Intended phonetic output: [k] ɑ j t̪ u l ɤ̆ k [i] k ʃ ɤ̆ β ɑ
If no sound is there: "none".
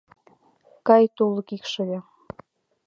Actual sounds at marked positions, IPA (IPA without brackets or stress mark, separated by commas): k, i